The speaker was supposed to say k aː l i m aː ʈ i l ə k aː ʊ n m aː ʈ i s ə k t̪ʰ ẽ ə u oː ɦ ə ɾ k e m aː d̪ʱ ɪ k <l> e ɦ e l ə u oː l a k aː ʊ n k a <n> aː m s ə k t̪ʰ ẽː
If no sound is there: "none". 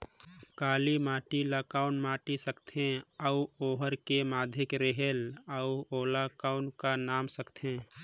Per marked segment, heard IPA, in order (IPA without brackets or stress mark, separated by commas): ɾ, n